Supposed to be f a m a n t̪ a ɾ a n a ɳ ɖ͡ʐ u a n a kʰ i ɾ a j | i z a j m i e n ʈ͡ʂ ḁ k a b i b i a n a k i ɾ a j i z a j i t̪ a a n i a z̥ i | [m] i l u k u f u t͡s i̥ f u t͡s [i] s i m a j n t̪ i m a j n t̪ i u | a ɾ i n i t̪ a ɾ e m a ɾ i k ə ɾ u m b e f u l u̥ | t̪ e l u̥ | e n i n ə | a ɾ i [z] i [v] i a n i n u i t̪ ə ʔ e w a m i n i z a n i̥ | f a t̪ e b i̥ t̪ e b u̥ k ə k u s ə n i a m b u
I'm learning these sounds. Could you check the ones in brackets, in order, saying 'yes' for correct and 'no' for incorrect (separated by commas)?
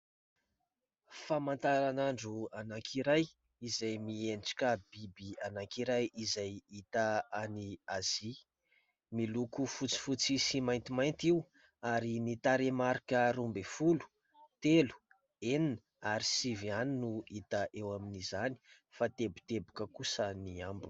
yes, yes, no, yes